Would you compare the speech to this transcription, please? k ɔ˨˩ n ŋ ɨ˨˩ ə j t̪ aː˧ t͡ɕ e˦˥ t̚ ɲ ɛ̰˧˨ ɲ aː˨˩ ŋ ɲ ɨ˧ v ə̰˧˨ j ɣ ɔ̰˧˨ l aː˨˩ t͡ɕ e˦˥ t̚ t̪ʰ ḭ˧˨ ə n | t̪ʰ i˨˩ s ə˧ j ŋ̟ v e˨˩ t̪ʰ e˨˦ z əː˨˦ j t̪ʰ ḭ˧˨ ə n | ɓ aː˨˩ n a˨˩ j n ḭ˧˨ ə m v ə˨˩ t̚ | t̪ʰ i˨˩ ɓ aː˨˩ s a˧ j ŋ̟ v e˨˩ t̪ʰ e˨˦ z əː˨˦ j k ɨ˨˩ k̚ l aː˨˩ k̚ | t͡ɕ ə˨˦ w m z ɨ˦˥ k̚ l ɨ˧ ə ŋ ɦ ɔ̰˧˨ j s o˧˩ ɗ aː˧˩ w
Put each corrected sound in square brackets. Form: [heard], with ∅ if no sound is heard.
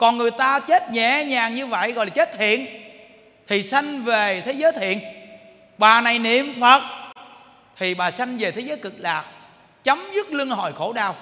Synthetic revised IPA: k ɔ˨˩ n ŋ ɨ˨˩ ə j t̪ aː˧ t͡ɕ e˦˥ t̚ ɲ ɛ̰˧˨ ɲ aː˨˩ ŋ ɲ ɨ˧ v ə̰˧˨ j ɣ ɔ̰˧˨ l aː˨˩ t͡ɕ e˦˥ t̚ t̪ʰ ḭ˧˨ ə n | t̪ʰ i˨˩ s [a˧] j ŋ̟ v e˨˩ t̪ʰ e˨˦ z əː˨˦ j t̪ʰ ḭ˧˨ ə n | ɓ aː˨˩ n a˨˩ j n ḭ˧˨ ə m [f] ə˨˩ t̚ | t̪ʰ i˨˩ ɓ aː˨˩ s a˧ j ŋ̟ v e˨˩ t̪ʰ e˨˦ z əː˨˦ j k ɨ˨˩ k̚ l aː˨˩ k̚ | t͡ɕ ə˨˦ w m z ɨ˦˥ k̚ l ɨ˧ ə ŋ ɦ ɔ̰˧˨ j [x] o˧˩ ɗ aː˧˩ w